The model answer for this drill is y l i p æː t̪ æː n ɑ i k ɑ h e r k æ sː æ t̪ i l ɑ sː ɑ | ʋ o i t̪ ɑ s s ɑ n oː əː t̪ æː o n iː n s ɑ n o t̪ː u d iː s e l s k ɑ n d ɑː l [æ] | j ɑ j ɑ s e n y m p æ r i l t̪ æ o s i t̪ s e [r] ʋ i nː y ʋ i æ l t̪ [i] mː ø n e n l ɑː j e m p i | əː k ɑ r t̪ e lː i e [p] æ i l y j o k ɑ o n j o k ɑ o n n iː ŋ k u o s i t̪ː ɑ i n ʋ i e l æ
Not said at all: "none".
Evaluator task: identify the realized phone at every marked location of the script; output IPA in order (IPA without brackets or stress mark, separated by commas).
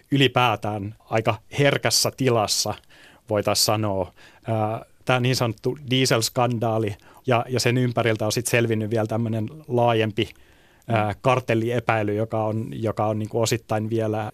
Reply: i, l, æ, p